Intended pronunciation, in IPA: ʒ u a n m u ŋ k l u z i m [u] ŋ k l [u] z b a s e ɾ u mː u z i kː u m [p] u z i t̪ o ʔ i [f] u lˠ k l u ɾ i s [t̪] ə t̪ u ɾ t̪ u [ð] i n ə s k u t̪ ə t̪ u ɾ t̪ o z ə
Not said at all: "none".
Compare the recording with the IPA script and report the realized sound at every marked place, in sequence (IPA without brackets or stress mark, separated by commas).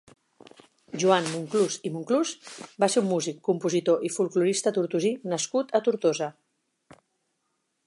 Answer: u, u, p, f, t̪, z